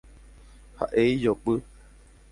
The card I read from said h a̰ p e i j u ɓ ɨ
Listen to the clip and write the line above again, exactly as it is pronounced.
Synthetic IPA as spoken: h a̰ ʔ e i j o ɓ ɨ